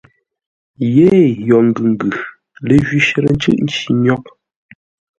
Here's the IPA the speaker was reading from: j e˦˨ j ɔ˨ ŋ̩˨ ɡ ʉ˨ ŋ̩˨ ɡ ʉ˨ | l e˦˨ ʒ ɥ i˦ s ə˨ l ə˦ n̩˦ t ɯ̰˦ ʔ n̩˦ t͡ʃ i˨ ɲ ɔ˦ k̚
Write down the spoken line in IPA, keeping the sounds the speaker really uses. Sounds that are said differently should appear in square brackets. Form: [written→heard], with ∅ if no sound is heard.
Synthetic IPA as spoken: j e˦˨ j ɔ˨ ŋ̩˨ ɡ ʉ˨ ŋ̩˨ ɡ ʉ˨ | l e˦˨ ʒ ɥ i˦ [s→ʃ] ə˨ [l→ɾ] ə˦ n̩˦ [t→t͡ʃ] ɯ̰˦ ʔ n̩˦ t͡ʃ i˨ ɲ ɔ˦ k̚